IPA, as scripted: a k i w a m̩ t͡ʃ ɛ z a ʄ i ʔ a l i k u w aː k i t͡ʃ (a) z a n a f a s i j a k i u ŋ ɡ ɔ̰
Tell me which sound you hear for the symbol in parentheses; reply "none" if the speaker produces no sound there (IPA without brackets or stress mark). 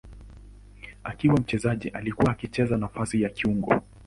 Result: ɛ